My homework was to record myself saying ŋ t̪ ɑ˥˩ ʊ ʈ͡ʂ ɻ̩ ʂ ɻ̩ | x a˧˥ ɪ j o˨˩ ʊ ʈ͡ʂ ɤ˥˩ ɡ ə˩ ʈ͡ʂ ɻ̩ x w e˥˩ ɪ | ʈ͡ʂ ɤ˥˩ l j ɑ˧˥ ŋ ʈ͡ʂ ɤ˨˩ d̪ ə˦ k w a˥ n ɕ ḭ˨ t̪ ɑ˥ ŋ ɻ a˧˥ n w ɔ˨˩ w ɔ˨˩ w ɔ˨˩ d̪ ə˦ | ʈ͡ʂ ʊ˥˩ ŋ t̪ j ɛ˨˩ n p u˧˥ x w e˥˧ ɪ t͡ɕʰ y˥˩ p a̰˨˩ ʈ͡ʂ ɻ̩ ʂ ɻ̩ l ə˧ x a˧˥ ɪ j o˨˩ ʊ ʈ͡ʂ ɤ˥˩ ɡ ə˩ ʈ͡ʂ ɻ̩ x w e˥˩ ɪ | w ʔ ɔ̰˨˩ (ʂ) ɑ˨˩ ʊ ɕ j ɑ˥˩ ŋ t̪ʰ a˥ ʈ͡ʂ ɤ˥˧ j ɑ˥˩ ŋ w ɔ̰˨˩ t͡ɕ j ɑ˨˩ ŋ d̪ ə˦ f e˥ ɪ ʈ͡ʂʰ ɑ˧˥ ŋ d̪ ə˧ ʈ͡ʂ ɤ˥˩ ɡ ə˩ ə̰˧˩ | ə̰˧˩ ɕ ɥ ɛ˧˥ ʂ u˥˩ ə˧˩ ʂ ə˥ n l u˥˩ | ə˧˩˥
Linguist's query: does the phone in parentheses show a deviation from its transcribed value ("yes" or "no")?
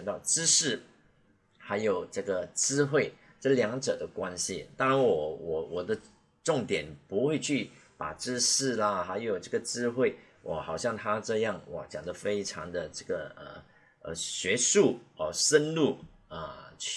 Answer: yes